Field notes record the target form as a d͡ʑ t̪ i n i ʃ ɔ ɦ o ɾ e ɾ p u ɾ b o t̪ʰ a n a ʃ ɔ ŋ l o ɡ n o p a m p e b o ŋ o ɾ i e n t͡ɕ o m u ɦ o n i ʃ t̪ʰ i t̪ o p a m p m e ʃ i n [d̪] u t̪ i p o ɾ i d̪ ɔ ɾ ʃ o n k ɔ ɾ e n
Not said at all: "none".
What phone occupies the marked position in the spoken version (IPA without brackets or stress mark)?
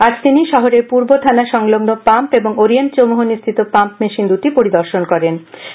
d̪